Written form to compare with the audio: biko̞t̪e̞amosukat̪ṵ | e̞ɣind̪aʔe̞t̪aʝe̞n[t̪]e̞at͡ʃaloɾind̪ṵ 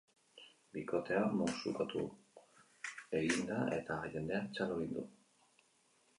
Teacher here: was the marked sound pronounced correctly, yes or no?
no